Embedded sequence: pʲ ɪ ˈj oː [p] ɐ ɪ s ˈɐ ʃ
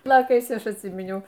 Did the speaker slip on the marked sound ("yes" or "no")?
yes